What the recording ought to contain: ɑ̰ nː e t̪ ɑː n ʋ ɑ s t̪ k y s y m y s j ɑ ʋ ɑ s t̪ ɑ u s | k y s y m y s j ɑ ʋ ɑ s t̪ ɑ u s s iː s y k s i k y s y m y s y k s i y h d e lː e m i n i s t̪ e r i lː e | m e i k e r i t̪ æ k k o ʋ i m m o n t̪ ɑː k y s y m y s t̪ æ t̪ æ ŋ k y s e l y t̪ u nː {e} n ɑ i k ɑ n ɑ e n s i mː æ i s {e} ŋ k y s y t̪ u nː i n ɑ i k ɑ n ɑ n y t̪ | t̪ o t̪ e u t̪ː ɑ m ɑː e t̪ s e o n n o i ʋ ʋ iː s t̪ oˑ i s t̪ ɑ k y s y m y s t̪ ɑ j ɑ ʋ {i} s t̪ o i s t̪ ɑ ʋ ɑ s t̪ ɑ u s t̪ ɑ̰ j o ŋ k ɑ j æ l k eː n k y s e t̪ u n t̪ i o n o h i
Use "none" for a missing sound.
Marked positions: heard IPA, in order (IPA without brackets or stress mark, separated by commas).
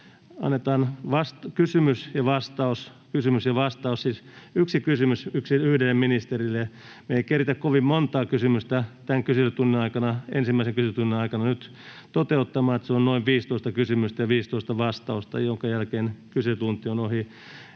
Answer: i, e, iː